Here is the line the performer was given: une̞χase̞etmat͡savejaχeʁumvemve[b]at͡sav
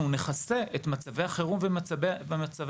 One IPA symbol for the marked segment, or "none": m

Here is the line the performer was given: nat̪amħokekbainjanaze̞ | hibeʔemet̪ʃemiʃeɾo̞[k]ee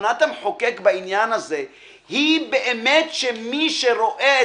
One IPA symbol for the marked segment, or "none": ʔ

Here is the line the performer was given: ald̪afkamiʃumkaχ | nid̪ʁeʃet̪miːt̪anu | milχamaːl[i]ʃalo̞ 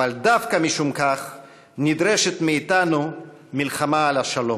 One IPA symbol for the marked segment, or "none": a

